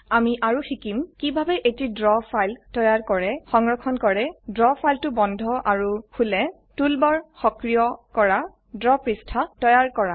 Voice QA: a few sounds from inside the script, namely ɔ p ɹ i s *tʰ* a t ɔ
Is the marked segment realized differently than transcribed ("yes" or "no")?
no